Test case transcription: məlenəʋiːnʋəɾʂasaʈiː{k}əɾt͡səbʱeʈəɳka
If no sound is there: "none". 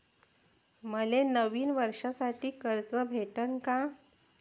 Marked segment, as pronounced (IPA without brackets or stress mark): k